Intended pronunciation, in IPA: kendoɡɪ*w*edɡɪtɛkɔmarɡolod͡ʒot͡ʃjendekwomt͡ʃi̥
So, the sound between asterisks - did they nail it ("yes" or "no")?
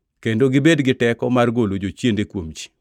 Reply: no